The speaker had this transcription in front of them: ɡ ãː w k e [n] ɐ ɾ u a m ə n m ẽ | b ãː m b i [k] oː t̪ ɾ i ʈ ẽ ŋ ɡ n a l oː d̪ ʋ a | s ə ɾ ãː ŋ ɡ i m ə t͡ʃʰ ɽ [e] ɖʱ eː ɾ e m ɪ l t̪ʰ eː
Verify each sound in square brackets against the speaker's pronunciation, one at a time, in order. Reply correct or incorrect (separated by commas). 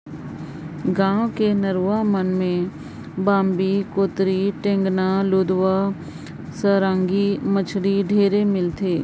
correct, correct, incorrect